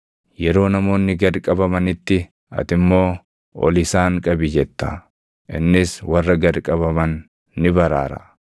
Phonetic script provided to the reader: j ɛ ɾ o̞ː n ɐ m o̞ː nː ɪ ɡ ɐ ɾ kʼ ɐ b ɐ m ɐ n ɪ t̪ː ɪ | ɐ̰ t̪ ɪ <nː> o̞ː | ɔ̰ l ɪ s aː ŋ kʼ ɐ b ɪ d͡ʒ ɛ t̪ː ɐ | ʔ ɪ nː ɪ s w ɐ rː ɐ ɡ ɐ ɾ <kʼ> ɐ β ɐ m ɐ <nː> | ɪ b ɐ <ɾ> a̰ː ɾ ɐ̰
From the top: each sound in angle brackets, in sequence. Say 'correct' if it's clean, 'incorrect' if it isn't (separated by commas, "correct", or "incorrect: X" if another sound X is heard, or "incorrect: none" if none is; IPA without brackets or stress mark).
incorrect: mː, correct, correct, correct